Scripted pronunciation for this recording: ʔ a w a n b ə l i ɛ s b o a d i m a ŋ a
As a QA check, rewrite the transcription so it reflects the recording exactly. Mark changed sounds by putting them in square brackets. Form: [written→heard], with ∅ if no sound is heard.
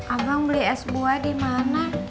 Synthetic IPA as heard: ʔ a [w→b] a [n→ŋ] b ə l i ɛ s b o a d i m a [ŋ→n] a

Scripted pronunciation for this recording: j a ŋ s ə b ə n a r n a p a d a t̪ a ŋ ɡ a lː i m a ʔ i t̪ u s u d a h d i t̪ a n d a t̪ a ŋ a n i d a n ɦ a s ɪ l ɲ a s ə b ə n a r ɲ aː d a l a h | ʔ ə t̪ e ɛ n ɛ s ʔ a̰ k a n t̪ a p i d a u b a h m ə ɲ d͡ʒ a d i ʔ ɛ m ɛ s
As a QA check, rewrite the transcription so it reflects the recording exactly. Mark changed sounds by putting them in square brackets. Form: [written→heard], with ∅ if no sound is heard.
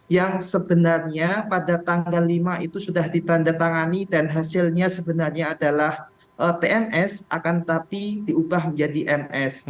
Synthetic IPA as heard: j a ŋ s ə b ə n a r [n→ɲ] a p a d a t̪ a ŋ ɡ a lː i m a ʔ i t̪ u s u d a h d i t̪ a n d a t̪ a ŋ a n i d a n ɦ a s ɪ l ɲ a s ə b ə n a r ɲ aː d a l a h | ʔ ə t̪ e ɛ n ɛ s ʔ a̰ k a n t̪ a p i d [a→i] u b a h m ə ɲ d͡ʒ a d i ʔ ɛ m ɛ s

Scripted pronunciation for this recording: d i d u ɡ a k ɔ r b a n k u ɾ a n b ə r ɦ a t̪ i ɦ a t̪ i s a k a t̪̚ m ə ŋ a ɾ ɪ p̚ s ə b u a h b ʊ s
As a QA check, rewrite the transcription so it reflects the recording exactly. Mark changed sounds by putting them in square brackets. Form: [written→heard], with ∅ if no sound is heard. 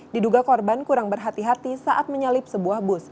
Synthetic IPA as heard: d i d u ɡ a k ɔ r b a n k u ɾ a [n→ŋ] b ə r ɦ a t̪ i ɦ a t̪ i s a [k→ʔ] a t̪̚ m ə [ŋ→ɲ] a [ɾ→l] ɪ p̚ s ə b u a h b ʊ s

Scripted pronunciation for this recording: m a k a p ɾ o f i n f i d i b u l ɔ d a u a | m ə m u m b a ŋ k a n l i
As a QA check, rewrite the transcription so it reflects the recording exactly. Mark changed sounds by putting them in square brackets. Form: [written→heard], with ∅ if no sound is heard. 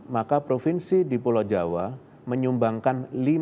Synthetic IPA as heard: m a k a p ɾ o f i n [f→s] i d i [b→p] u l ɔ [d→d͡ʒ] a [u→w] a | m ə [m→ɲ] u m b a ŋ k a n l i

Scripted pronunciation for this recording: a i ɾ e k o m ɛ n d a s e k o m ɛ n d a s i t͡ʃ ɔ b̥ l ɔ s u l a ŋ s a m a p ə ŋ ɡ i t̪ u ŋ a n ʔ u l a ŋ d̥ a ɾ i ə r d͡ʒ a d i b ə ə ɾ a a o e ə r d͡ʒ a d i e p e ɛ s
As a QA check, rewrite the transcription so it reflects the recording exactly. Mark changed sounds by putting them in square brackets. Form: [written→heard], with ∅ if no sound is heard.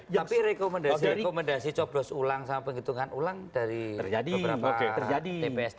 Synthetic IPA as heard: a i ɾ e k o m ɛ n d a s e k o m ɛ n d a s i t͡ʃ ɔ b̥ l ɔ s u l a ŋ s a m a p ə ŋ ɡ i t̪ u ŋ a n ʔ u l a ŋ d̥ a ɾ i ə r d͡ʒ a d i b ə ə ɾ a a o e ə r d͡ʒ a d i e p e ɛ s

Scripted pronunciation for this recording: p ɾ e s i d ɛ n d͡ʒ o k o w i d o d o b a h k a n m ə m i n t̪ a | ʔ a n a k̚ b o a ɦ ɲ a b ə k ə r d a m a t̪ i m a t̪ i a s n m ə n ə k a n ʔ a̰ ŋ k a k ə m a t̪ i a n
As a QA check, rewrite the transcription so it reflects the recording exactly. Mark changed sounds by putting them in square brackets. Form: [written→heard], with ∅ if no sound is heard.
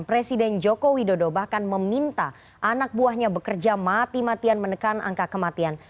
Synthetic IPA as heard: p ɾ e s i d ɛ n d͡ʒ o k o w i d o d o b a h k a n m ə m i n t̪ a | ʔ a n a k̚ b [o→u] a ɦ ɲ a b ə k ə r [d→d͡ʒ] a m a t̪ i m a t̪ i a [s→∅] n m ə n ə k a n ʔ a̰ ŋ k a k ə m a t̪ i a n

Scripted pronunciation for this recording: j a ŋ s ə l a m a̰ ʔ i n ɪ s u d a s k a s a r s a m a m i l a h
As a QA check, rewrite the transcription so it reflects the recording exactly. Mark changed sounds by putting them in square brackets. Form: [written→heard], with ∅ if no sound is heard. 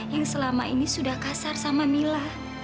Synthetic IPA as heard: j a ŋ s ə l a m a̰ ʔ i n [ɪ→i] s u d a [s→h] k a s a r s a m a m i l a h

